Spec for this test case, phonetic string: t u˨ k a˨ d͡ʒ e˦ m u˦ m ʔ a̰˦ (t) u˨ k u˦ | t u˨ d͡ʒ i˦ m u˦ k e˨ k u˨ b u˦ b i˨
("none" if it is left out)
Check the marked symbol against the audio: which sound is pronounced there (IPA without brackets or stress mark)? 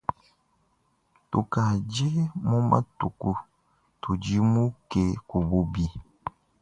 t